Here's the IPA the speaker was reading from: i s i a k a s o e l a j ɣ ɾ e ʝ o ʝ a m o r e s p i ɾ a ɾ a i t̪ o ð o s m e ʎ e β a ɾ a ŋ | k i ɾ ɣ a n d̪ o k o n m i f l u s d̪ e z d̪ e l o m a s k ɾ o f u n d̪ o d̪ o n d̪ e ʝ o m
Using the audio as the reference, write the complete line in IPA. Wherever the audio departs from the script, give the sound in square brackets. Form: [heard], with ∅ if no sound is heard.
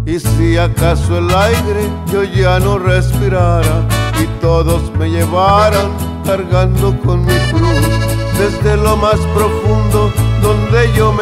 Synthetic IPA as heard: i s i a k a s o e l a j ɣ ɾ e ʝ o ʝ a [n] o r e s p i ɾ a ɾ a i t̪ o ð o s m e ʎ e β a ɾ a ŋ | k [a] ɾ ɣ a n d̪ o k o n m i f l u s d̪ e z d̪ e l o m a s [p] ɾ o f u n d̪ o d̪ o n d̪ e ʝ o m